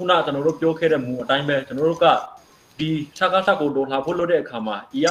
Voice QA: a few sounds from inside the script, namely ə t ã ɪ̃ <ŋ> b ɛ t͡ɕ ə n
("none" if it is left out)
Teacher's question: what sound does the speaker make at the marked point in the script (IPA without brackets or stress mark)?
m